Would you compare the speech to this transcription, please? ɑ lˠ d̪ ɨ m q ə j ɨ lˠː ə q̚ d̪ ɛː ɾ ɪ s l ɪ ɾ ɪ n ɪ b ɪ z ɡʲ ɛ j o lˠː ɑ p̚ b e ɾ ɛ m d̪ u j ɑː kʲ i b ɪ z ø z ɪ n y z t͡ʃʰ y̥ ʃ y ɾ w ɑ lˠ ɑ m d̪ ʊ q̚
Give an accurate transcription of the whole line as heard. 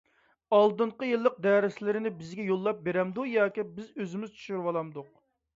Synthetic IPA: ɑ lˠ d̪ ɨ ɴ q ə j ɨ lˠː ə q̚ d̪ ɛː ɾ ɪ s l ɪ ɾ ɪ n ɪ b ɪ z ɡʲ ɛ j o lˠː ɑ p̚ b e ɾ ɛ m d̪ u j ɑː kʲ i b ɪ z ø z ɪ m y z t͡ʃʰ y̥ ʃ y ɾ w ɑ lˠ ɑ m d̪ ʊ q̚